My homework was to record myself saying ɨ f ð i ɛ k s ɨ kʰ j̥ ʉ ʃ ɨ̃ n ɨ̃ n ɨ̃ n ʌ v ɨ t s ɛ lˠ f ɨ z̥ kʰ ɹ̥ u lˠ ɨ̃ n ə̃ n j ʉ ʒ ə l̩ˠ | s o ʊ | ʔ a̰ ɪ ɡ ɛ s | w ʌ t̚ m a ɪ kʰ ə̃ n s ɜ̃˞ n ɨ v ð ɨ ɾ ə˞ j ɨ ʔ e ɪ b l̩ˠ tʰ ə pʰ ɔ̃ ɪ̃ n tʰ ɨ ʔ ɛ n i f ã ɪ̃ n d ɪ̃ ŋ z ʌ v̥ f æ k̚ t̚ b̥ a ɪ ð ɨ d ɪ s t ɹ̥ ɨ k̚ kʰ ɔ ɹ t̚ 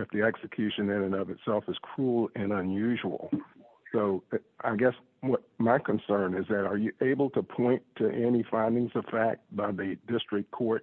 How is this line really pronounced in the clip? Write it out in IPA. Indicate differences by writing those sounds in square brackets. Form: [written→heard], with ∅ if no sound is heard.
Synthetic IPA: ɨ f ð i ɛ k s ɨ kʰ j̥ ʉ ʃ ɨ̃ n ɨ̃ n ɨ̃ n ʌ v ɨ t s ɛ lˠ f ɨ z̥ kʰ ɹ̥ u lˠ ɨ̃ n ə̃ n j ʉ ʒ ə l̩ˠ | s o ʊ | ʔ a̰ ɪ ɡ ɛ s | w ʌ t̚ m a ɪ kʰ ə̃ n s ɜ̃˞ n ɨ [v→z] ð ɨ ɾ ə˞ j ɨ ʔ e ɪ b l̩ˠ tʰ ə pʰ ɔ̃ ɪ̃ n tʰ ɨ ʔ ɛ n i f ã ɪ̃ n d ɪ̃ ŋ z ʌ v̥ f æ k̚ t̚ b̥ a ɪ ð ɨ d ɪ s t ɹ̥ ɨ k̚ kʰ ɔ ɹ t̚